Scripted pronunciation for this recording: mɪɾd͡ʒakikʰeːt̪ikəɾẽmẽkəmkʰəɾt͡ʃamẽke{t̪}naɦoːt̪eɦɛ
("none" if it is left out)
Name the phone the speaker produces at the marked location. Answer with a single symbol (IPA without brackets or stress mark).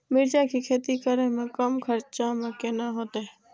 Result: none